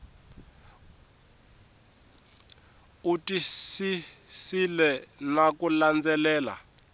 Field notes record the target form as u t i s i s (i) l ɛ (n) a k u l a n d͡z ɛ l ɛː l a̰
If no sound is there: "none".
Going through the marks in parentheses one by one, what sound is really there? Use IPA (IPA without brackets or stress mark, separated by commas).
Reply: i, n